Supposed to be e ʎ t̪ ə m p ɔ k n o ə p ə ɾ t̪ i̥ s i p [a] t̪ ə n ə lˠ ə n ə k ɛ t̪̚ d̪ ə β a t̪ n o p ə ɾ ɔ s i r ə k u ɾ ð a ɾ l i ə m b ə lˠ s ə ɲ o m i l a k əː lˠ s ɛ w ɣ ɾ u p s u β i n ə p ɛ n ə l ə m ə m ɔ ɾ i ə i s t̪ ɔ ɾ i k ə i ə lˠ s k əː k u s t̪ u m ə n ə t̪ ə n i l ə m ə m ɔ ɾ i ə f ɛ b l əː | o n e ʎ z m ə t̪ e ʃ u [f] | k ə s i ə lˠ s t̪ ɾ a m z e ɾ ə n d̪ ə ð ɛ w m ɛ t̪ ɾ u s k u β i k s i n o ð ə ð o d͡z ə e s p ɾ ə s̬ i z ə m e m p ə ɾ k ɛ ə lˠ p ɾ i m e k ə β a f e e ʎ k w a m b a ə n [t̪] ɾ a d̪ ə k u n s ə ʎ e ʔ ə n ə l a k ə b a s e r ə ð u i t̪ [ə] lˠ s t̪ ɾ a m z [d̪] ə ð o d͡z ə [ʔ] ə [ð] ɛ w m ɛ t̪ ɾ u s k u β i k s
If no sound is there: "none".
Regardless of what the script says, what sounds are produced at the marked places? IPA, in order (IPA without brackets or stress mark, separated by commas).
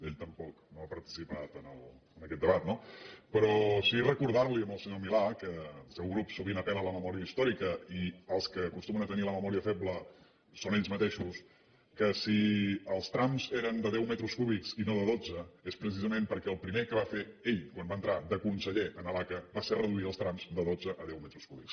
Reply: a, s, t̪, ə, d̪, ʔ, ð